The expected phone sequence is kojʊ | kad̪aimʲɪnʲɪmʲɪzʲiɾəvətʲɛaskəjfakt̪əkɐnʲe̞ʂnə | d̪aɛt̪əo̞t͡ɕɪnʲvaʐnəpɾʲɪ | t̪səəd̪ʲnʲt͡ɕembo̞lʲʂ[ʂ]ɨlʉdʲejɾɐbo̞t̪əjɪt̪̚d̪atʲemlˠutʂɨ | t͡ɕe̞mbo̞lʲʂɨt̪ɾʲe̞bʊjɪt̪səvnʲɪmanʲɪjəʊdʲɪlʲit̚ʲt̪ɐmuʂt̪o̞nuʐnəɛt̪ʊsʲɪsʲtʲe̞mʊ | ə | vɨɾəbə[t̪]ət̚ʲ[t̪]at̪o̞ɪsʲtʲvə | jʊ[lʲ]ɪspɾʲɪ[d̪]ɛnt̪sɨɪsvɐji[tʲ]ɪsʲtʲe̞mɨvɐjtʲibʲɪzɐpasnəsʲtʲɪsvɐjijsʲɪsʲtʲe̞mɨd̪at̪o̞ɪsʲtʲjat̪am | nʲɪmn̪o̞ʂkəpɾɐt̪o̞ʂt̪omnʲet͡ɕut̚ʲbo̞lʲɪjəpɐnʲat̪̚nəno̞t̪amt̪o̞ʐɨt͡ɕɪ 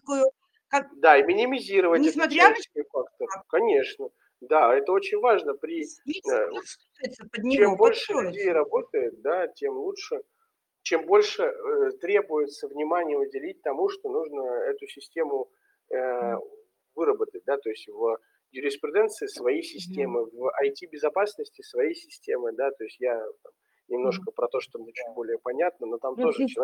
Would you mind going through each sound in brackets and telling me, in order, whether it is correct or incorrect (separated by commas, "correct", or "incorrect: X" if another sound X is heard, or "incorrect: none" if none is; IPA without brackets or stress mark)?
correct, correct, incorrect: d̪, incorrect: ɾʲ, correct, incorrect: sʲ